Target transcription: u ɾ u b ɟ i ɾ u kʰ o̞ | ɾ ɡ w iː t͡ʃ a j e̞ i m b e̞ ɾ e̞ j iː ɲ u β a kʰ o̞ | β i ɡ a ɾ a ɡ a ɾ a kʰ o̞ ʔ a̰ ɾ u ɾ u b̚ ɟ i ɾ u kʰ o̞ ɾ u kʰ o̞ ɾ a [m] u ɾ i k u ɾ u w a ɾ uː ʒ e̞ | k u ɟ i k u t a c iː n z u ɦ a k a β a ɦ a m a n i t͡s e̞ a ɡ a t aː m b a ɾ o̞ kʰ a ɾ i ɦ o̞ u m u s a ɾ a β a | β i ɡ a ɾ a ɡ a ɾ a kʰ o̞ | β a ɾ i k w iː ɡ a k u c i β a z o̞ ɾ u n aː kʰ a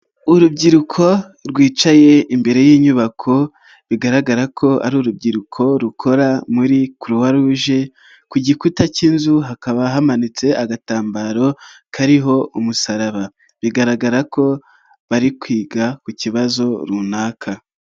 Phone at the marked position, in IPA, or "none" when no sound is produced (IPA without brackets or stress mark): m